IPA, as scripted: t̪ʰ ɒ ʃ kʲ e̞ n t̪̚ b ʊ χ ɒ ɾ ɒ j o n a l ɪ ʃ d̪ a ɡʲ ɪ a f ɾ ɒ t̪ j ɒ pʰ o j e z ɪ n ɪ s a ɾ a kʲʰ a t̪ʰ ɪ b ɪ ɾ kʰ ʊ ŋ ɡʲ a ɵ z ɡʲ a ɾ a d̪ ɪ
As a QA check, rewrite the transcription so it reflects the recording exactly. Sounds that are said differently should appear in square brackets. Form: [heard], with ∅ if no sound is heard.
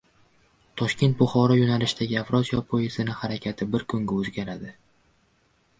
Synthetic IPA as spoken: t̪ʰ ɒ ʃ kʲ e̞ n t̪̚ b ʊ χ ɒ ɾ ɒ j o n a l ɪ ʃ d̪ a ɡʲ ɪ a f ɾ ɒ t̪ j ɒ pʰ o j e z ɪ n ɪ [h] a ɾ a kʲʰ a t̪ʰ ɪ b ɪ ɾ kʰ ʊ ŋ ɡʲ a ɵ z ɡʲ a ɾ a d̪ ɪ